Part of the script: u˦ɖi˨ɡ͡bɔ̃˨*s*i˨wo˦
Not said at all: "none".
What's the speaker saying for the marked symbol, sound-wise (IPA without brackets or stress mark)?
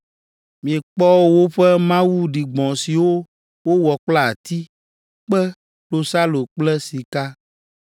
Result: s